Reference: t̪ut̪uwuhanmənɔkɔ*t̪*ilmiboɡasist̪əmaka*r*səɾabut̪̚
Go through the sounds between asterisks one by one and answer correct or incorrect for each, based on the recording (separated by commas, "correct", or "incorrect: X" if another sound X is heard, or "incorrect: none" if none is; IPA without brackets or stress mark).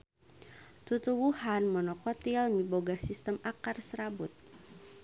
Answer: correct, correct